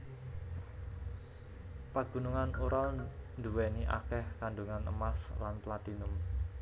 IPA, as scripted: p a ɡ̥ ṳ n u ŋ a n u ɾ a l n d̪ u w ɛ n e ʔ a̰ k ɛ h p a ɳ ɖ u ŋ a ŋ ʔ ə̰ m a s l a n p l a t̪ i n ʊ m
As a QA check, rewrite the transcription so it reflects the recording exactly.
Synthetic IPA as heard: p a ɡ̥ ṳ n u ŋ a n u ɾ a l n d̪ u w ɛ n i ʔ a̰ k ɛ h k a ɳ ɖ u ŋ a n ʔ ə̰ m a s l a n p l a t̪ i n ʊ m

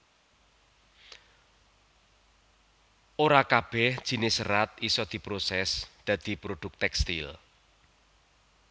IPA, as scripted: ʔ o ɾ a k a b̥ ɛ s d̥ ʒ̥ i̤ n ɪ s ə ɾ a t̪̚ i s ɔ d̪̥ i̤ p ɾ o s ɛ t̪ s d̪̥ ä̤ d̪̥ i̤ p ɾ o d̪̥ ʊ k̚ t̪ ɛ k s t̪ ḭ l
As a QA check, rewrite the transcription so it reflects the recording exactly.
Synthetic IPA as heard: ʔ o ɾ a k a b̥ ɛ h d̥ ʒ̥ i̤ n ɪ s ə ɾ a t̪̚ i s ɔ d̪̥ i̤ p ɾ o s ɛ s d̪̥ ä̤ d̪̥ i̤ p ɾ o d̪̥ ʊ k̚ t̪ ɛ k s t̪ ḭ l

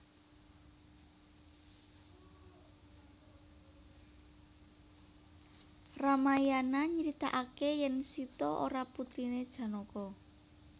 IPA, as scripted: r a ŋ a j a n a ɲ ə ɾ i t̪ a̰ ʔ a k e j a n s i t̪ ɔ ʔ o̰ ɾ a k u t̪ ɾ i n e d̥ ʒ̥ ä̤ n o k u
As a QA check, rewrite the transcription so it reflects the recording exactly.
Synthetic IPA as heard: r a m a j a n a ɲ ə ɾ i t̪ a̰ ʔ a k e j ɛ n s i t̪ ɔ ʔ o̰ ɾ a p u t̪ ɾ i n e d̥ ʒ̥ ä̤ n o k ɔ

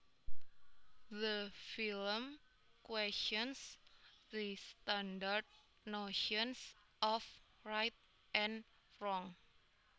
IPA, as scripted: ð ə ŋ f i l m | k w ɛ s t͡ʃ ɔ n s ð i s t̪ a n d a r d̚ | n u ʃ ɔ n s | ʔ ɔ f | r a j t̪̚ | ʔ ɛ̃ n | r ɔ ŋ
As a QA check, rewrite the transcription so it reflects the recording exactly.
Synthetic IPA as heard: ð ə f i l m | k w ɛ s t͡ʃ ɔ n s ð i s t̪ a n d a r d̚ | n o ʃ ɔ n s | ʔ ɔ f | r a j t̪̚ | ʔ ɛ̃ n | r ɔ ŋ

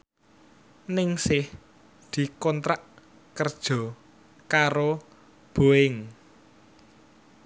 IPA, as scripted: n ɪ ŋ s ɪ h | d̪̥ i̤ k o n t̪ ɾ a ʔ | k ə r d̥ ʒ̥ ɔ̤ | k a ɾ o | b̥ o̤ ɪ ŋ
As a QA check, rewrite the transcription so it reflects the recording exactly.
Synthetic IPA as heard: n ɪ ŋ s ɪ h | d̪̥ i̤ k ɔ n t̪ ɾ a ʔ | k ə r d̥ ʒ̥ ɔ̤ | k a ɾ o | b̥ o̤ ɪ ŋ

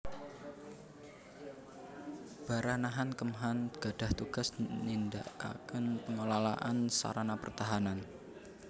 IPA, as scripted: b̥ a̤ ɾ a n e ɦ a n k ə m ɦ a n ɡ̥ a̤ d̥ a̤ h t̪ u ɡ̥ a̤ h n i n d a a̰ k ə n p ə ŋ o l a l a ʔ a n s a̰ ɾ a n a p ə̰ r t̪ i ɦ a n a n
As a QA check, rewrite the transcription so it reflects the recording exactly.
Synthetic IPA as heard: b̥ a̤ ɾ a n a ɦ a n k ə m ɦ a n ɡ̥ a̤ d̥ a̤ h t̪ u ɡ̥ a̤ s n i n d a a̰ k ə n p ə ŋ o l a l a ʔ a n s a̰ ɾ a n a p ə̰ r t̪ a ɦ a n a n

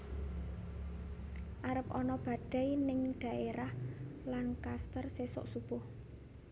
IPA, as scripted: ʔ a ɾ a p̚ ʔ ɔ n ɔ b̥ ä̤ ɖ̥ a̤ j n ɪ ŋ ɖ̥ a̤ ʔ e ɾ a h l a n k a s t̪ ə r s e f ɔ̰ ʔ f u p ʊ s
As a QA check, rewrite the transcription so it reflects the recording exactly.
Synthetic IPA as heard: ʔ a ɾ ə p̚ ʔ ɔ n ɔ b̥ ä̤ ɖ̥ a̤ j n ɪ ŋ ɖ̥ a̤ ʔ e ɾ a h l a n k a s t̪ ə r s e s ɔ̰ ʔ s u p ʊ h

